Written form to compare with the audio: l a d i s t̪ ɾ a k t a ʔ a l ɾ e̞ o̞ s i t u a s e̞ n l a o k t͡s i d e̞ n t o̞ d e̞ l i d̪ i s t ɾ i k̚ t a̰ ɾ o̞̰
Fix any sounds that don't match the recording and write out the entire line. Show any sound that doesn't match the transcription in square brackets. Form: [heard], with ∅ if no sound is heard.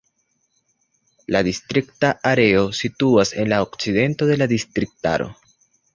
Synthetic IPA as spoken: l a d i s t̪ ɾ [i] k t a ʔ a [∅] ɾ e̞ o̞ s i t u a s e̞ n l a o k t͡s i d e̞ n t o̞ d e̞ l [a] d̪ i s t ɾ i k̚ t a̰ ɾ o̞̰

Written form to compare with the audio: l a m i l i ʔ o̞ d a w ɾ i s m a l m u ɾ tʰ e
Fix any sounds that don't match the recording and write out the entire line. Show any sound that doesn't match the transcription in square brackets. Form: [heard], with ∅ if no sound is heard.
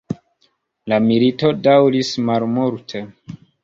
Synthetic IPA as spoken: l a m i l i [t] o̞ d a w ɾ i s m a l m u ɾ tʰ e

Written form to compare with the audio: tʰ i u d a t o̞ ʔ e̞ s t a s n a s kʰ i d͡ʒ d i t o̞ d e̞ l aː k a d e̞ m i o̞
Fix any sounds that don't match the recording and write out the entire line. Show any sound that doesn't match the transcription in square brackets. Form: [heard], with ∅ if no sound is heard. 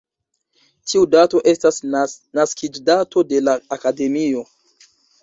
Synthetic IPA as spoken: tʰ i u d a t o̞ ʔ e̞ s t a s n a s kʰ i d͡ʒ d [a] t o̞ d e̞ l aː k a d e̞ m i o̞

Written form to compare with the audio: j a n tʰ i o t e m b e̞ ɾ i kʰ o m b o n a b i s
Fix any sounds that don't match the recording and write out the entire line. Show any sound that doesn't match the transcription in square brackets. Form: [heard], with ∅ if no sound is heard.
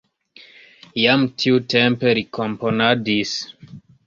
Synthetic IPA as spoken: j a [m] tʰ i [u] t e m [p] e̞ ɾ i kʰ o m [p] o n a [d] i s

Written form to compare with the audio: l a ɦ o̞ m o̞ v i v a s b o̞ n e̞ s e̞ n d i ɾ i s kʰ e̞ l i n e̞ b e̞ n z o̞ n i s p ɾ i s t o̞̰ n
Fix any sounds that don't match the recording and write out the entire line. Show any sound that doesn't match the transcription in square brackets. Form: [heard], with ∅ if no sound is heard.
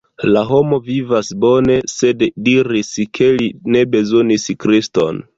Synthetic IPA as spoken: l a ɦ o̞ m o̞ v i v a s b o̞ n e̞ s e̞ [d] d i ɾ i s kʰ e̞ l i n e̞ b e̞ [∅] z o̞ n i s [k] ɾ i s t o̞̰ n

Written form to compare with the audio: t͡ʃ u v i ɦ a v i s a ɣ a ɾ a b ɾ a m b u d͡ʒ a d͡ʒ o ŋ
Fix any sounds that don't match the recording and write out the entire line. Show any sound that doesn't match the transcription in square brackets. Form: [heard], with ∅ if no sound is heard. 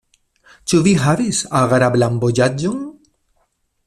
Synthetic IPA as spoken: t͡ʃ u v i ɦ a v i s a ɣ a ɾ a b [l] a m b [o] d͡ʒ a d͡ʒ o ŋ

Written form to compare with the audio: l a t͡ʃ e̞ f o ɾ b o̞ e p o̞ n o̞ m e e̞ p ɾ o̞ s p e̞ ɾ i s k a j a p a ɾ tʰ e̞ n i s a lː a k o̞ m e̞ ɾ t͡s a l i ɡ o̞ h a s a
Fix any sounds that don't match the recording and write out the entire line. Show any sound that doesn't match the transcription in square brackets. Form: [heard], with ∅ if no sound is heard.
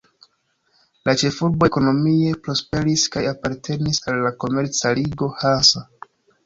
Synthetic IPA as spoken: l a t͡ʃ e̞ f [u] ɾ b o̞ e [k] o̞ n o̞ m [i] e̞ p ɾ o̞ s p e̞ ɾ i s k a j a p a ɾ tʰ e̞ n i s a lː a k o̞ m e̞ ɾ t͡s a l i ɡ o̞ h a s a

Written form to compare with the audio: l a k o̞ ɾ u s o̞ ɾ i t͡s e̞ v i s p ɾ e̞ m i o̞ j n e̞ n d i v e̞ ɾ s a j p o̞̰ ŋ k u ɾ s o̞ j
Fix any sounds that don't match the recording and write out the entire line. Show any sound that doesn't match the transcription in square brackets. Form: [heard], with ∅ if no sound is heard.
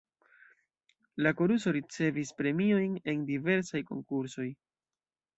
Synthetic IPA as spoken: l a k o̞ ɾ u s o̞ ɾ i t͡s e̞ v i s p ɾ e̞ m i o̞ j n e̞ n d i v e̞ ɾ s a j [k] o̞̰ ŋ k u ɾ s o̞ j

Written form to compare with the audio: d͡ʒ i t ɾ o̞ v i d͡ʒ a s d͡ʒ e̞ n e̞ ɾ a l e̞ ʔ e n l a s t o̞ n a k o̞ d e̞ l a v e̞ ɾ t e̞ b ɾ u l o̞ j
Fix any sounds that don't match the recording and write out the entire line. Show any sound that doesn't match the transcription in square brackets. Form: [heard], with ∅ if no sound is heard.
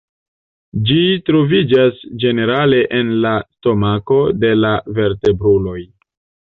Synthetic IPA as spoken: d͡ʒ i t ɾ o̞ v i d͡ʒ a s d͡ʒ e̞ n e̞ ɾ a l e̞ ʔ e n l a s t o̞ [m] a k o̞ d e̞ l a v e̞ ɾ t e̞ b ɾ u l o̞ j

